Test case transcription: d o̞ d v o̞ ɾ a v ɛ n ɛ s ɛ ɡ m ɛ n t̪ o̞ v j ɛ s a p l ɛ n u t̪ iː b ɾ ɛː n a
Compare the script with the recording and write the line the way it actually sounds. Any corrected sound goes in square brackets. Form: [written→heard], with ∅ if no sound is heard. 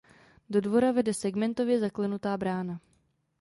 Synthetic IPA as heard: d o̞ d v o̞ ɾ a v ɛ [n→d] ɛ s ɛ ɡ m ɛ n t̪ o̞ v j ɛ [s→z] a [p→k] l ɛ n u t̪ [iː→aː] b ɾ [ɛː→aː] n a